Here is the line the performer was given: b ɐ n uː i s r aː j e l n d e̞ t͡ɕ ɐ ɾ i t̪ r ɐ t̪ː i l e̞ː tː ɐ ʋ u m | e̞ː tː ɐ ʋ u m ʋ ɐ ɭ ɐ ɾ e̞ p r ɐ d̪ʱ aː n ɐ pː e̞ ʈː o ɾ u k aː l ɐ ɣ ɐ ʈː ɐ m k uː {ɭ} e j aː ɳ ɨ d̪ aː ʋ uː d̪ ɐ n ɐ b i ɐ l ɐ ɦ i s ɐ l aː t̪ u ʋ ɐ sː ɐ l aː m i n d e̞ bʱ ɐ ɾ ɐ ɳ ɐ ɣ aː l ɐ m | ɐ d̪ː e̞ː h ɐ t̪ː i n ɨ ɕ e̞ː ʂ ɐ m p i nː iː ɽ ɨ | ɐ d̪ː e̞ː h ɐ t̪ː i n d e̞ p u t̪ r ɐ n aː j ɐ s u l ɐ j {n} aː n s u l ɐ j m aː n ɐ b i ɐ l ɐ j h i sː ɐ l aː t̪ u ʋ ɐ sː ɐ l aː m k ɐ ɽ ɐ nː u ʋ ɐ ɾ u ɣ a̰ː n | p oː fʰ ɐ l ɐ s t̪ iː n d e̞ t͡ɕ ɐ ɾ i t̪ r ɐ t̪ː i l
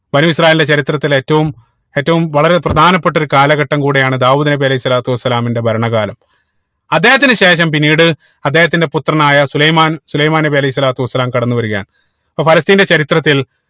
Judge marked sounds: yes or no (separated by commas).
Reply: no, no